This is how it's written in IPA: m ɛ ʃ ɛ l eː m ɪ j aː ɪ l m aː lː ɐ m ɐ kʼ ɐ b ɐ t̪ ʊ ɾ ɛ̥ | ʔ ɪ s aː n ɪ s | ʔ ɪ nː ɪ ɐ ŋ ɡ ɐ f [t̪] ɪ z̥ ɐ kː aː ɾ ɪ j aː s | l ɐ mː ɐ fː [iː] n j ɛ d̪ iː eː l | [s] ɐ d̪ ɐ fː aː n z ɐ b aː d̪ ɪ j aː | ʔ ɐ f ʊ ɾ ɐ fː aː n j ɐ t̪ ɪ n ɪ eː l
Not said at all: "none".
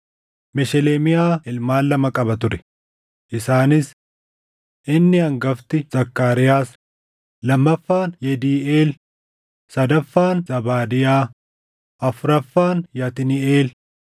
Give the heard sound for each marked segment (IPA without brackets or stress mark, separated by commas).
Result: t̪, aː, s